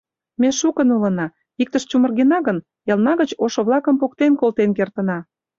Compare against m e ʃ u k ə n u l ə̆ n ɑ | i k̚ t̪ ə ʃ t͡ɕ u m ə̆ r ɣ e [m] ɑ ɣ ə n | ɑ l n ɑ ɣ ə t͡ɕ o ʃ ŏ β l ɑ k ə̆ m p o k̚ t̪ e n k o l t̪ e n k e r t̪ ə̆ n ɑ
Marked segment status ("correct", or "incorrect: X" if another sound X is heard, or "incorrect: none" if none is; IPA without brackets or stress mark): incorrect: n